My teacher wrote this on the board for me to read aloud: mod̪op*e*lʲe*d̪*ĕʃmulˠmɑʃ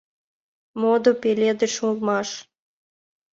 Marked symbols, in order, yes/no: yes, yes

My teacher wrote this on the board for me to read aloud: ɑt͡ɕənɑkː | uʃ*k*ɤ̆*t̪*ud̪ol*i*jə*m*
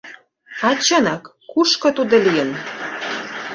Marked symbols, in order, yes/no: yes, yes, yes, no

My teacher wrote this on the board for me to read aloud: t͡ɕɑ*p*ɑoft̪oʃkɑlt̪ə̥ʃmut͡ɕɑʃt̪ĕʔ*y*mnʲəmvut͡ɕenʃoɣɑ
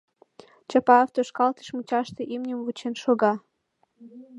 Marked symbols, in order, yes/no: yes, no

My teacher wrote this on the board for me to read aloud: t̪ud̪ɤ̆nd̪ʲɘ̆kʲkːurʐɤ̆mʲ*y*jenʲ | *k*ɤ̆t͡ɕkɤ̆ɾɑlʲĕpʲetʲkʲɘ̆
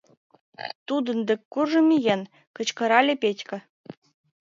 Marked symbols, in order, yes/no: no, yes

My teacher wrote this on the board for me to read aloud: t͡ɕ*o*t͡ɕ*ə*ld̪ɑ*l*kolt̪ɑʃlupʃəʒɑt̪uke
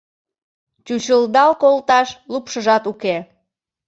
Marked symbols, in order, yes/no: no, yes, yes

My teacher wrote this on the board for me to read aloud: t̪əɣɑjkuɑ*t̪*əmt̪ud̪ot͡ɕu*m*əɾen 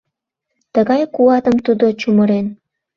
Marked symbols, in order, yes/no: yes, yes

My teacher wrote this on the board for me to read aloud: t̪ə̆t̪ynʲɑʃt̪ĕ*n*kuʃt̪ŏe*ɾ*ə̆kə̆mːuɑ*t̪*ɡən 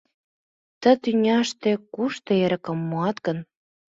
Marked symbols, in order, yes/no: no, yes, yes

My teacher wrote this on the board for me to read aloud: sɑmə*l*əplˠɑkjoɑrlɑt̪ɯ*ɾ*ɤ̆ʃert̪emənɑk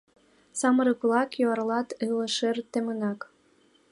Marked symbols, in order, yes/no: no, no

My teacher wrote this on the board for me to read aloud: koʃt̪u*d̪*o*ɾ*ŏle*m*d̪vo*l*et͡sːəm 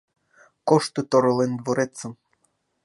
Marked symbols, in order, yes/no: no, yes, no, no

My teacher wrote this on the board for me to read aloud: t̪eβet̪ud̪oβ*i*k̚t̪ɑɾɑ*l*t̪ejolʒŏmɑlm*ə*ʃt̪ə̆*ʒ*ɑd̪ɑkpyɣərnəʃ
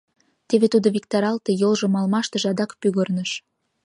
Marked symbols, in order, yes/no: yes, yes, no, yes

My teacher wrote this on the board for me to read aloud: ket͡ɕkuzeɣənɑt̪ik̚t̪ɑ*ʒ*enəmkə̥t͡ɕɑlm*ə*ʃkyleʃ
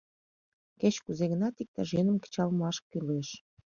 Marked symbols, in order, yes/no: yes, no

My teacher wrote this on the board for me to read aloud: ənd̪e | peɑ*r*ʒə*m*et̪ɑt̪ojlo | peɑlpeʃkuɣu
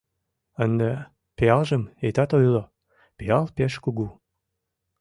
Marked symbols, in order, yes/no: no, yes

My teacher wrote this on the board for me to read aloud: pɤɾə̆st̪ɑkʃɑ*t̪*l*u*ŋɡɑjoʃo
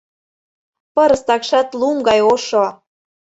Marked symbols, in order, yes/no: yes, yes

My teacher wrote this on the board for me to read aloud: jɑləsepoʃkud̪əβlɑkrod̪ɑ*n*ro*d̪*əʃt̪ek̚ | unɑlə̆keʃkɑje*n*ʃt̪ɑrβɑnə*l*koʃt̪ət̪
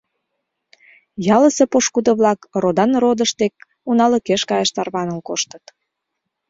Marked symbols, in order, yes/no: yes, yes, no, yes

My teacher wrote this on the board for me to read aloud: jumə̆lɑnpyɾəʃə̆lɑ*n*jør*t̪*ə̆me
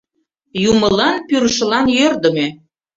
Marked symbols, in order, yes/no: yes, no

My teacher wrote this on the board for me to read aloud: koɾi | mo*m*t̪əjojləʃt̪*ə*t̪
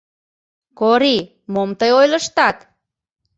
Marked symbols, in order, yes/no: yes, no

